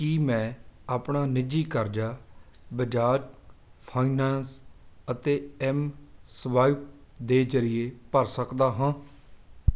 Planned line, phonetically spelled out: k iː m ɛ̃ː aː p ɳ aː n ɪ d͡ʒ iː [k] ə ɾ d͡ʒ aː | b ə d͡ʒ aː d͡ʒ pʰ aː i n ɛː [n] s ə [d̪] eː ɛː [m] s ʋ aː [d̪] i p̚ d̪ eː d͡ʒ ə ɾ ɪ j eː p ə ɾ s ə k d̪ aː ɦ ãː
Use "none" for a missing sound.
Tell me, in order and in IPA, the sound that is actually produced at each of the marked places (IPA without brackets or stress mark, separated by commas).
k, n, t̪, m, none